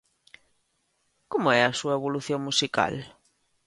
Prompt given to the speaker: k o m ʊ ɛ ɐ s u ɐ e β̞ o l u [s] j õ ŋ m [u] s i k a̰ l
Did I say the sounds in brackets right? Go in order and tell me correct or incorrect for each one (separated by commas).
incorrect, correct